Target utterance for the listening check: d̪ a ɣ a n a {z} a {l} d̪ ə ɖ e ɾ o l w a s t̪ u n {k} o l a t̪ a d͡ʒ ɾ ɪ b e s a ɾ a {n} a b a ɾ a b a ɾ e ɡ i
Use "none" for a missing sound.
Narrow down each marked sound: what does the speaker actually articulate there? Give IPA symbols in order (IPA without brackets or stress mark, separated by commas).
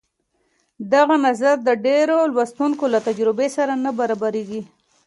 z, ɾ, k, n